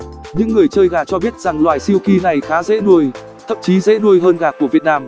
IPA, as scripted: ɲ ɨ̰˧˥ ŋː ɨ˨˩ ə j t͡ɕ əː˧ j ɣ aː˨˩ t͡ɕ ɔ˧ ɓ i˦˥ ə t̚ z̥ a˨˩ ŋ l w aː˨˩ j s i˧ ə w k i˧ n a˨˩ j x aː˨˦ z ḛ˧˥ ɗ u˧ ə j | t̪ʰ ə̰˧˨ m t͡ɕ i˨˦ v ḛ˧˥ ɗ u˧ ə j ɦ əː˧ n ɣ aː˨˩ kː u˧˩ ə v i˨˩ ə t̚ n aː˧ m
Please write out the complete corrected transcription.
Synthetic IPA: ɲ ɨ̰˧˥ ŋː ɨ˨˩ ə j t͡ɕ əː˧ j ɣ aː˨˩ t͡ɕ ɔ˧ ɓ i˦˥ ə t̚ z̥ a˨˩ ŋ l w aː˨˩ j s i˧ ə w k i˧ n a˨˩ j x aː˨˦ z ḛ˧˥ ɗ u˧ ə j | t̪ʰ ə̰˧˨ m t͡ɕ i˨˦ z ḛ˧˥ ɗ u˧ ə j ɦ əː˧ n ɣ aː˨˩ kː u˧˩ ə v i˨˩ ə t̚ n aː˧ m